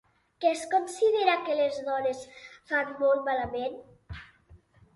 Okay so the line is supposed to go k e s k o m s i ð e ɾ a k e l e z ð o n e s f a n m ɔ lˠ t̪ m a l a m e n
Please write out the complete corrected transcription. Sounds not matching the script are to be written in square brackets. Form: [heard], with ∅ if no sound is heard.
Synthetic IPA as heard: k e s k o [n] s i ð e ɾ a k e l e z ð [ɔ] n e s f a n m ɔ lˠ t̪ m a l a m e n